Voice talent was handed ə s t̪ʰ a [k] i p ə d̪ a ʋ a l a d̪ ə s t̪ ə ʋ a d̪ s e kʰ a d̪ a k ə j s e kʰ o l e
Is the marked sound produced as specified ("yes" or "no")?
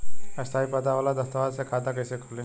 no